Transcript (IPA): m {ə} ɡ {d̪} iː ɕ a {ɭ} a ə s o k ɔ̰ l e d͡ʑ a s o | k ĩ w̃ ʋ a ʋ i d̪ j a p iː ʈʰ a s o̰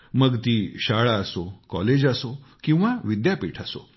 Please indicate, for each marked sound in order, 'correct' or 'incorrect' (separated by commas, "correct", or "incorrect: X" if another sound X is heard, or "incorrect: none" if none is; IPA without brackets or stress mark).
correct, incorrect: t̪, correct